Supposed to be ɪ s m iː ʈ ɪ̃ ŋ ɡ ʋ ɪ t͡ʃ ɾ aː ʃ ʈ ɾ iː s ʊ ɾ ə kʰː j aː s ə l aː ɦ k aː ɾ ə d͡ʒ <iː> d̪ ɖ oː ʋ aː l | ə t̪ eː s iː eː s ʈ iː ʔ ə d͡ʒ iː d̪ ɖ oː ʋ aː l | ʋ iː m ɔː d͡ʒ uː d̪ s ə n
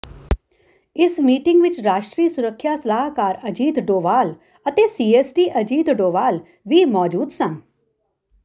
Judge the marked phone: correct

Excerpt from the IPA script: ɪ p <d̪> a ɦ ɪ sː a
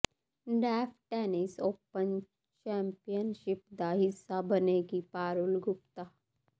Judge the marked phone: correct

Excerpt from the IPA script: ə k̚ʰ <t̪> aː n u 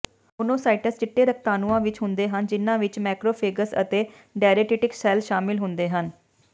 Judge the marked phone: correct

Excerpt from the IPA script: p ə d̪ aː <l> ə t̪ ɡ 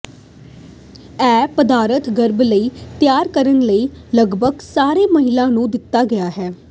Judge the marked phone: incorrect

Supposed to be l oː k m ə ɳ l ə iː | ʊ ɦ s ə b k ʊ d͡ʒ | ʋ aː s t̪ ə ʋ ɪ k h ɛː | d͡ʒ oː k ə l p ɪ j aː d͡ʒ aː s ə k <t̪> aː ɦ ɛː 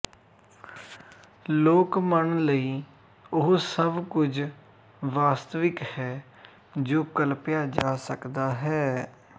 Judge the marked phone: incorrect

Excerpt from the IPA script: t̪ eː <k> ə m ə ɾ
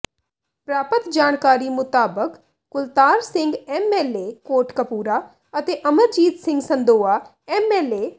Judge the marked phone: incorrect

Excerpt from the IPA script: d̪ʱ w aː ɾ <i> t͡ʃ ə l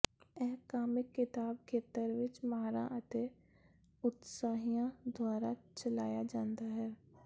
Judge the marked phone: incorrect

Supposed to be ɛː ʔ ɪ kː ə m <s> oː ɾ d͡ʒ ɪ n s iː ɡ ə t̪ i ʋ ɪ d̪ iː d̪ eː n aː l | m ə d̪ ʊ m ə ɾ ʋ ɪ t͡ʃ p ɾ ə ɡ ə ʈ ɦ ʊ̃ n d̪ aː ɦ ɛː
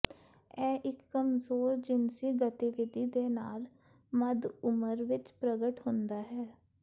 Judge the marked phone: incorrect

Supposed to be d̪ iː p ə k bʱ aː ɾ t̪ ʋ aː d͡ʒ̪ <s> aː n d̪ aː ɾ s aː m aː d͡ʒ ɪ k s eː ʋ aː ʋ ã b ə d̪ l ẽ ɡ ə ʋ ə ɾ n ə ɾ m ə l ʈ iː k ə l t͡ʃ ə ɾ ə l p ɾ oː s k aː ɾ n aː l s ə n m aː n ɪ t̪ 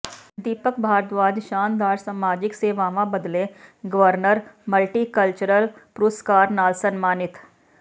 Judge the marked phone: incorrect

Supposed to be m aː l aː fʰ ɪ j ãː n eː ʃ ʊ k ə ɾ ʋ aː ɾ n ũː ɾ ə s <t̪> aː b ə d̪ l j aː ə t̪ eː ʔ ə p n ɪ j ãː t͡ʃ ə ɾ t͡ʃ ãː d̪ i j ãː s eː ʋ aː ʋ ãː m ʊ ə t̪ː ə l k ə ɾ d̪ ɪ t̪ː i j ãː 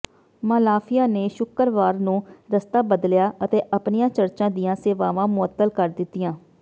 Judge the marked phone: correct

